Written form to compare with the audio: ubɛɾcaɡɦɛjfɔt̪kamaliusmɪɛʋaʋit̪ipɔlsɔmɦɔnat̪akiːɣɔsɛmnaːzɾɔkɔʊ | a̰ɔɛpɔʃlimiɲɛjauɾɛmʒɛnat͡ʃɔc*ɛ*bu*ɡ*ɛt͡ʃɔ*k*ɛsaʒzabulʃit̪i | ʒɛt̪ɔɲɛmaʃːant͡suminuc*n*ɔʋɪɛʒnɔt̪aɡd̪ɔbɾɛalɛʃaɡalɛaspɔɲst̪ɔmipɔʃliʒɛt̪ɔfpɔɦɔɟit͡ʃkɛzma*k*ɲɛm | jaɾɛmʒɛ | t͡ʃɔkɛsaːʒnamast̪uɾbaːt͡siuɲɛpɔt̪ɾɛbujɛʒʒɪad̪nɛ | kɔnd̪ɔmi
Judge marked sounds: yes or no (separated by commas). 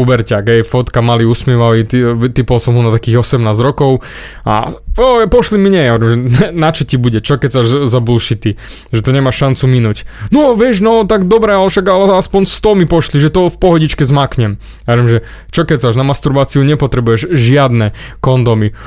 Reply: no, no, yes, yes, yes